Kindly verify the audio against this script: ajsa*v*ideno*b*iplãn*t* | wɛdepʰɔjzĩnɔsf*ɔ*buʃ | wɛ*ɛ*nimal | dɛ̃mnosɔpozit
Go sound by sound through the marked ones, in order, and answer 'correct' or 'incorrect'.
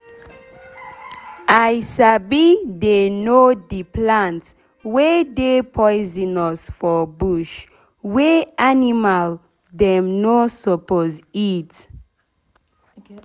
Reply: incorrect: b, incorrect: d, correct, correct, incorrect: a

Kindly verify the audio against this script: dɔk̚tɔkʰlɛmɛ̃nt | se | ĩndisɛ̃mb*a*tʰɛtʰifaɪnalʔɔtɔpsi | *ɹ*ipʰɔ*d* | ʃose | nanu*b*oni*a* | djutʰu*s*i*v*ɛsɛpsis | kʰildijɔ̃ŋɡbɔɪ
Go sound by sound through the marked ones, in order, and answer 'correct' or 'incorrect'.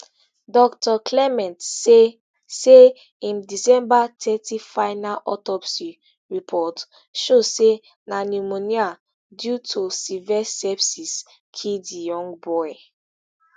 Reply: correct, correct, incorrect: t, incorrect: m, correct, correct, correct

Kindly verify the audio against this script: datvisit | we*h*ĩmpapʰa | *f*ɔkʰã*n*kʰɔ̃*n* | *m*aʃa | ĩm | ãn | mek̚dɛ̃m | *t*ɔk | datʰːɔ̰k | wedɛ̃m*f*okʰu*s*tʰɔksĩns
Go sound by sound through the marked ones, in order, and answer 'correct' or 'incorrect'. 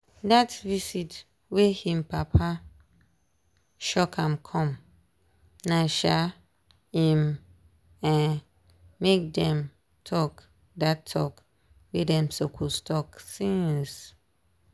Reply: correct, incorrect: ʃ, incorrect: m, incorrect: m, incorrect: n, incorrect: tʰ, incorrect: s, correct

